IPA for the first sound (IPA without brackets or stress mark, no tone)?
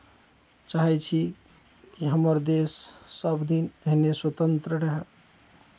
t͡ʃ